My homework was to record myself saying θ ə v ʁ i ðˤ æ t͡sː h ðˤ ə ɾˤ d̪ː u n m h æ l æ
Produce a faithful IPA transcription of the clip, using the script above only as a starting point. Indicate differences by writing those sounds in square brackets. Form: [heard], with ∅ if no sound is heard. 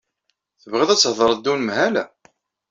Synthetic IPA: θ ə v ʁ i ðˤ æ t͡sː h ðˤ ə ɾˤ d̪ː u n m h æ l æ